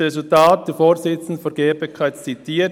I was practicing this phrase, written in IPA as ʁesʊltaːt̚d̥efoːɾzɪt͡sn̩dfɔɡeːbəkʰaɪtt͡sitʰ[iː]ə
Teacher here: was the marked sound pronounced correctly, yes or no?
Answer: yes